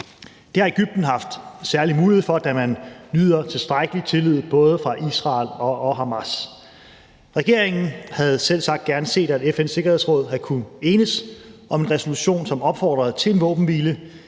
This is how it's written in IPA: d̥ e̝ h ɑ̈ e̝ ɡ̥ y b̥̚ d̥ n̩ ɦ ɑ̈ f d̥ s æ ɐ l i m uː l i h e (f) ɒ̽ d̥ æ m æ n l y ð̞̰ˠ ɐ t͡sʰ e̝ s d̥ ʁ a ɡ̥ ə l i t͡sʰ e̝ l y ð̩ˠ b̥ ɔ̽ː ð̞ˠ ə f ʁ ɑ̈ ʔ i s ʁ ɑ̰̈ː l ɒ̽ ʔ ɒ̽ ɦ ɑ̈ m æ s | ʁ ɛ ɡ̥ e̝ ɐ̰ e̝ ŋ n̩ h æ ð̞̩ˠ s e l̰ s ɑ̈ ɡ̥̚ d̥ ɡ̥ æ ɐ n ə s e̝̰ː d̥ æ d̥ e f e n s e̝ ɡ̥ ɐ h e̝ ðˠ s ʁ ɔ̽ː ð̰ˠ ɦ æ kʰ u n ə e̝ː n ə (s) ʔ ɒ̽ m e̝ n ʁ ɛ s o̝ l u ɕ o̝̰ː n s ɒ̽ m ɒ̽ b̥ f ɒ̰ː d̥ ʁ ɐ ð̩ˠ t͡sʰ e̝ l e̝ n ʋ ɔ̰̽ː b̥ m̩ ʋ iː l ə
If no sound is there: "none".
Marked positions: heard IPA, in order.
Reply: f, s

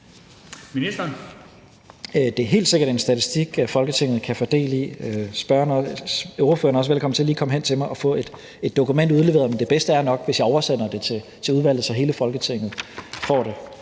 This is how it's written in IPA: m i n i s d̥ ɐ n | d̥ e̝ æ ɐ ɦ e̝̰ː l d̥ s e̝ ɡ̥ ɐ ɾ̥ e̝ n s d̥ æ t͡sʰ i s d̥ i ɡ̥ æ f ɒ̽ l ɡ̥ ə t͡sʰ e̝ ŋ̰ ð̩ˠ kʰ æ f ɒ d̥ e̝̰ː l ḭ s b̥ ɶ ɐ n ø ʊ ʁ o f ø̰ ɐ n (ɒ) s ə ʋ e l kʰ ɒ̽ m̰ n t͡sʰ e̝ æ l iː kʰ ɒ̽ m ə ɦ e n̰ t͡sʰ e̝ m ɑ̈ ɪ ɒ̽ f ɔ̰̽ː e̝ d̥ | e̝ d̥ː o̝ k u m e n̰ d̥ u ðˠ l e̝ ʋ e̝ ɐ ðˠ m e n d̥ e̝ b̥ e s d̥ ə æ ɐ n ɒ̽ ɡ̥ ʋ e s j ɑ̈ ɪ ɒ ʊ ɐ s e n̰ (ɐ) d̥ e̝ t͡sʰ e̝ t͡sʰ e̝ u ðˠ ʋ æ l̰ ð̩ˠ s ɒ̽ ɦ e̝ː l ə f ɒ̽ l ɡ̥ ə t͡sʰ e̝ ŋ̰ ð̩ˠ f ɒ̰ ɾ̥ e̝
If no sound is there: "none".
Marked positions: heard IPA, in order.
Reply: ɒ, ɐ

